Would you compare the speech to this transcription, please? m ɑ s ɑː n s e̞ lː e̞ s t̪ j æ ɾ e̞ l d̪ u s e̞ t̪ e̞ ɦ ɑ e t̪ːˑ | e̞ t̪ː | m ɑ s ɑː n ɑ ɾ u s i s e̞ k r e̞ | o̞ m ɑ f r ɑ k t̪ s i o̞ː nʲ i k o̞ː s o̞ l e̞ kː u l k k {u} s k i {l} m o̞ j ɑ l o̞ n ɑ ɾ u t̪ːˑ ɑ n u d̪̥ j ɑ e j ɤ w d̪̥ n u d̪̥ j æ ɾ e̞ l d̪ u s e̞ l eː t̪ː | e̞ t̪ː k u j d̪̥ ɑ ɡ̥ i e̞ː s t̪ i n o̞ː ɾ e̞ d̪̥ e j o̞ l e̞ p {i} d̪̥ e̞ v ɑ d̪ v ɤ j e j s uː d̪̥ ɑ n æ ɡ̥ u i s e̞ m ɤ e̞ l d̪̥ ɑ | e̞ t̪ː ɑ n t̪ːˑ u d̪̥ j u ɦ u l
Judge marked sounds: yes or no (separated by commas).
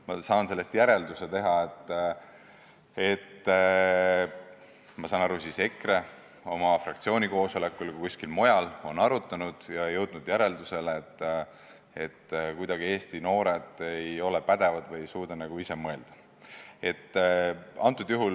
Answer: yes, yes, no